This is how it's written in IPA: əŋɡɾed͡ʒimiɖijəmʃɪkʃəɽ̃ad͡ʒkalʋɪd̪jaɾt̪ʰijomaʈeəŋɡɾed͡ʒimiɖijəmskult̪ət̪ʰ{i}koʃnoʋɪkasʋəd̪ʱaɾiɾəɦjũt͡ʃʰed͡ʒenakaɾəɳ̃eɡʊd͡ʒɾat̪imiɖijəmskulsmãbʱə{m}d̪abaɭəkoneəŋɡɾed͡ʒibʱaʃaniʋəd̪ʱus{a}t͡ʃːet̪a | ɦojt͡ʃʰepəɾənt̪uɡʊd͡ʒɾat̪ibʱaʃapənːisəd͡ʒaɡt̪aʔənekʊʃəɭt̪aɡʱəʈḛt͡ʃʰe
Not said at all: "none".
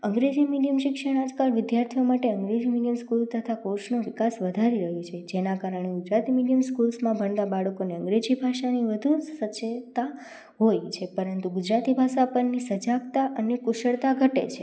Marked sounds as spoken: a, ɳ, ə

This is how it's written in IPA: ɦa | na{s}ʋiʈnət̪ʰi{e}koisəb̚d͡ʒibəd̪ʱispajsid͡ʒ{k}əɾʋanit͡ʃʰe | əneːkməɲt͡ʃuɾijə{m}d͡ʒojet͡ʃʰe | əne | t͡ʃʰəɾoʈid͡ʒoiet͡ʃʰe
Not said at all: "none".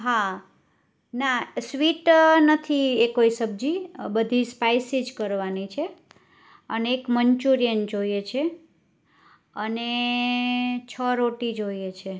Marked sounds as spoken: s, e, k, n

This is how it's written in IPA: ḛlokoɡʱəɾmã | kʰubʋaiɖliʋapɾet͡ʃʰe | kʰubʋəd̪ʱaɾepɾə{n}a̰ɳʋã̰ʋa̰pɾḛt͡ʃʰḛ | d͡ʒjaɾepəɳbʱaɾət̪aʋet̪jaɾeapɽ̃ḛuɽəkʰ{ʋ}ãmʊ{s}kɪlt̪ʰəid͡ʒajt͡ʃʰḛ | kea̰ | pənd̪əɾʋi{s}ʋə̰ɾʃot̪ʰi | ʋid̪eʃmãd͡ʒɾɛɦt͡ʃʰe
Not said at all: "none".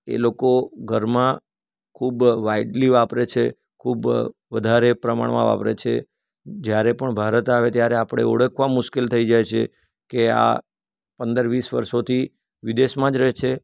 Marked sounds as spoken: m, ʋ, ʃ, s

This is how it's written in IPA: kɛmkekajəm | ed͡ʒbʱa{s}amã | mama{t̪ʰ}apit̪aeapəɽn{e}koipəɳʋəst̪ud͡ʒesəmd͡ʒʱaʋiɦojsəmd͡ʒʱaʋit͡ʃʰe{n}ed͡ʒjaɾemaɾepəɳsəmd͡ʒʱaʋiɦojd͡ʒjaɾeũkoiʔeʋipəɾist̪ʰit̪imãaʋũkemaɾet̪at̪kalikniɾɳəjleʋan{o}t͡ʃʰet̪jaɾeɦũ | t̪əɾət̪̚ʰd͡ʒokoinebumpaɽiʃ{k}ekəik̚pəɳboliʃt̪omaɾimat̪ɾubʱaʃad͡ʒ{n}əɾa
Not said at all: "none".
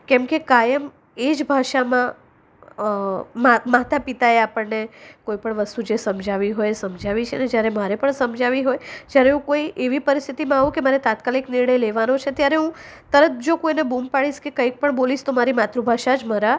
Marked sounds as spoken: ʃ, t̪, e, n, o, k, m

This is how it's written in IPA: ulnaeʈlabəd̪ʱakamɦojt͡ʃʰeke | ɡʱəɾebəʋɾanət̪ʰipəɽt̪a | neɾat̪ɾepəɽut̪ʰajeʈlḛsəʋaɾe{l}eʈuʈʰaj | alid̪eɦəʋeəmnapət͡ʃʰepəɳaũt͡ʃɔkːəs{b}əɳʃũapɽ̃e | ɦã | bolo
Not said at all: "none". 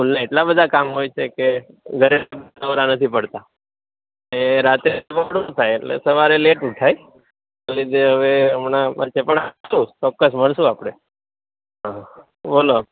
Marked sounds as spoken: l, m

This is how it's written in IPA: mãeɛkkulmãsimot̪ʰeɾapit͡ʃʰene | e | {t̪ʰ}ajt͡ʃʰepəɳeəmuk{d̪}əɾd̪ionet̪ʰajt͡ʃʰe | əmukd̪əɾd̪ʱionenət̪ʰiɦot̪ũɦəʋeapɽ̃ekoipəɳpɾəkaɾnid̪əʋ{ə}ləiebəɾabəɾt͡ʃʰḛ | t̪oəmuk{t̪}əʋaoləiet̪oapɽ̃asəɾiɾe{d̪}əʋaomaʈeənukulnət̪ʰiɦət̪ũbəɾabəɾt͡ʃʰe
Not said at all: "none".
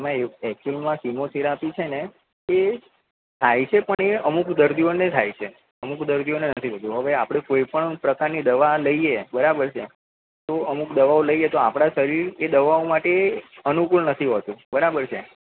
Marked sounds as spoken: t̪ʰ, d̪, a, d̪, d̪

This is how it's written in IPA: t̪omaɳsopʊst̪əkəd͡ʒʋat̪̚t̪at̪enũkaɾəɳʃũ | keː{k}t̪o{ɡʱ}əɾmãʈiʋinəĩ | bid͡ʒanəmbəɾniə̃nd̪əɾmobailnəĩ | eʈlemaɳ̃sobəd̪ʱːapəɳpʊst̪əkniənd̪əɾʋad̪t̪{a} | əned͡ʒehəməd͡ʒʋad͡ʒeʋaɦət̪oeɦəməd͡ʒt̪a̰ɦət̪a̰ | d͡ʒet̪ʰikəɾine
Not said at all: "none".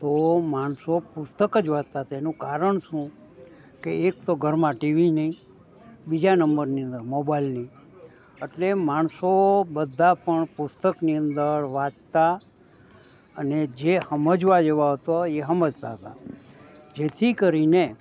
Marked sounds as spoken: k, ɡʱ, a

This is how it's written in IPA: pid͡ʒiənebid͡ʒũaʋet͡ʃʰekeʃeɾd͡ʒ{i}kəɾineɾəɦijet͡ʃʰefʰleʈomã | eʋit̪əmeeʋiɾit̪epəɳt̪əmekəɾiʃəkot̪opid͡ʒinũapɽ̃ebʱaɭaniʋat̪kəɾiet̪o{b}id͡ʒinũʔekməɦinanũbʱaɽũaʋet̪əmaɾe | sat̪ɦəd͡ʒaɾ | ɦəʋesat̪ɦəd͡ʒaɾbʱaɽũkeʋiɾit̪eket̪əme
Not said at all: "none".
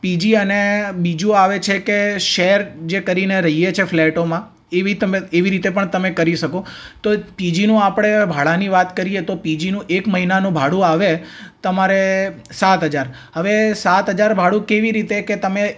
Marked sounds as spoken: e, p

